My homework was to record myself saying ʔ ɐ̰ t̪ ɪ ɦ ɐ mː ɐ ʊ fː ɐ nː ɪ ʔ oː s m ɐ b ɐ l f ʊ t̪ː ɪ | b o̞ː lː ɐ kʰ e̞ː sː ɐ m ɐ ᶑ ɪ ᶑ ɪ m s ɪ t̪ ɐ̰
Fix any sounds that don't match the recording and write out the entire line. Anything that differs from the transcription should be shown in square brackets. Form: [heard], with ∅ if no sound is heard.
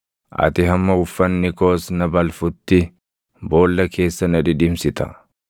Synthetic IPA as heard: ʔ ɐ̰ t̪ ɪ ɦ ɐ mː ɐ ʊ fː ɐ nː ɪ [k] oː s [n] ɐ b ɐ l f ʊ t̪ː ɪ | b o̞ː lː ɐ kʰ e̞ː sː ɐ [n] ɐ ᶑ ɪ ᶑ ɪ m s ɪ t̪ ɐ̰

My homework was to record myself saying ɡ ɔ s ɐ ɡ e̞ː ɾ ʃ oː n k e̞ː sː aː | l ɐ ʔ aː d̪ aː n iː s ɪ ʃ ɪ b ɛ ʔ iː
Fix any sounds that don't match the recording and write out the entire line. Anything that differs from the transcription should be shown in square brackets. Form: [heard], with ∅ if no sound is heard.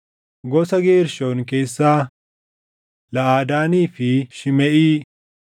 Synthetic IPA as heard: ɡ ɔ s ɐ ɡ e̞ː ɾ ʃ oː n k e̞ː sː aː | l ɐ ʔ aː d̪ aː n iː [f] ɪ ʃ ɪ [m] ɛ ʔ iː

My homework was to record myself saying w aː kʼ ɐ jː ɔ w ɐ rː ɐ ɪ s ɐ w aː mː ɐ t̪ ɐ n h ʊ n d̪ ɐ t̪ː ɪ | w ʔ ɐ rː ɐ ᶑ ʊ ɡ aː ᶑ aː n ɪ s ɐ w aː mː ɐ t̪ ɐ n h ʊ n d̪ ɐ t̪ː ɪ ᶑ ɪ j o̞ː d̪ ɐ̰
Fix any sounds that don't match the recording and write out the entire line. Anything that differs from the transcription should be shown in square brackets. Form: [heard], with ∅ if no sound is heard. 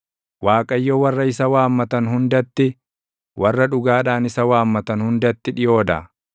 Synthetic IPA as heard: w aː kʼ ɐ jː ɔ w ɐ rː ɐ ɪ s ɐ w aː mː ɐ t̪ ɐ n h ʊ n d̪ ɐ t̪ː ɪ | w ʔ ɐ rː ɐ ᶑ ʊ ɡ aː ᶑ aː n ɪ s ɐ w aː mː ɐ t̪ ɐ n h ʊ n d̪ ɐ t̪ː ɪ ᶑ ɪ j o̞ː d̪ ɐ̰

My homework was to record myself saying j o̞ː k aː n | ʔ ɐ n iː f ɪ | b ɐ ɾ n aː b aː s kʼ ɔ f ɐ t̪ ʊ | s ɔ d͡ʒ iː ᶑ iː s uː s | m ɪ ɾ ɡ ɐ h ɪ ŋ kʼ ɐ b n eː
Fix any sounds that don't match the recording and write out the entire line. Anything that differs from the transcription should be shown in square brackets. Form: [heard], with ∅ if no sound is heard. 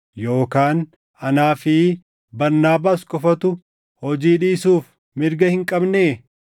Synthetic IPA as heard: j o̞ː k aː n | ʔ ɐ n [aː] f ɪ | b ɐ ɾ n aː b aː s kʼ ɔ f ɐ t̪ ʊ | [h] ɔ d͡ʒ iː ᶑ iː s uː [f] | m ɪ ɾ ɡ ɐ h ɪ ŋ kʼ ɐ b n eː

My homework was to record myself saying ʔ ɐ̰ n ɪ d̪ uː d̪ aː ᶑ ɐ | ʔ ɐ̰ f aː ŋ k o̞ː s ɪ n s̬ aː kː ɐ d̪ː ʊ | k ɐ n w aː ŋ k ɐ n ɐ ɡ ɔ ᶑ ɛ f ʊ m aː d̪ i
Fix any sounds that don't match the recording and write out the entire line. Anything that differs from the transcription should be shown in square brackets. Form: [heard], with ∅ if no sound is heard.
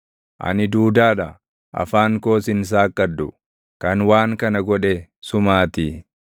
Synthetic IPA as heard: ʔ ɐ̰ n ɪ d̪ uː d̪ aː ᶑ ɐ | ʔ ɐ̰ f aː ŋ k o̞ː s ɪ n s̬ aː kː ɐ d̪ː ʊ | k ɐ n w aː ŋ k ɐ n ɐ ɡ ɔ ᶑ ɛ [s] ʊ m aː [t̪] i

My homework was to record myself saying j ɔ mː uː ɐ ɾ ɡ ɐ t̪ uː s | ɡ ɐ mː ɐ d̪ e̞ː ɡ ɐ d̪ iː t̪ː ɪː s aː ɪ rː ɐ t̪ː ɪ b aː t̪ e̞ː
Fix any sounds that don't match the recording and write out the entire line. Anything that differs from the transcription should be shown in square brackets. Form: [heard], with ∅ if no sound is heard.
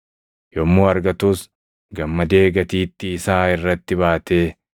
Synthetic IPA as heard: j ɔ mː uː ɐ ɾ ɡ ɐ t̪ uː s | ɡ ɐ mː ɐ d̪ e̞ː ɡ ɐ [t̪] iː t̪ː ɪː s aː ɪ rː ɐ t̪ː ɪ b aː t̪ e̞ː

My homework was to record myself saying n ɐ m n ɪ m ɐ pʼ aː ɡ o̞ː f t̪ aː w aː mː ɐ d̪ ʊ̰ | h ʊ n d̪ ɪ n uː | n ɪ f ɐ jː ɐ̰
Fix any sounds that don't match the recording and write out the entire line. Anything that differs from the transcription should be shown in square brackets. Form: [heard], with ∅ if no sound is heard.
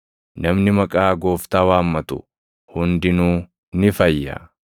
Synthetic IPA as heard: n ɐ m n ɪ m ɐ [kʼ] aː ɡ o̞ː f t̪ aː w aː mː ɐ [t̪] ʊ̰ | h ʊ n d̪ ɪ n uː | n ɪ f ɐ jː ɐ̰

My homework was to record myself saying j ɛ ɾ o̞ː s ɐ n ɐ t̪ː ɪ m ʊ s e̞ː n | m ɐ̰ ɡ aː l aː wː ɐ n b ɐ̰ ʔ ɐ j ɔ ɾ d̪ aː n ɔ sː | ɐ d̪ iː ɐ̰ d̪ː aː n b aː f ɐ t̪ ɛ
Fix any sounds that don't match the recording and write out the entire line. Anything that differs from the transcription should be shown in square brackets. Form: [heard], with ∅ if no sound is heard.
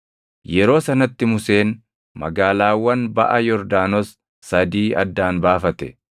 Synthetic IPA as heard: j ɛ ɾ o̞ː s ɐ n ɐ t̪ː ɪ m ʊ s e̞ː n | m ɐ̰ ɡ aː l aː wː ɐ n b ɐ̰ ʔ ɐ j ɔ ɾ d̪ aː n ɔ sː | ɐ d̪ iː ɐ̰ d̪ː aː n b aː f ɐ t̪ ɛ

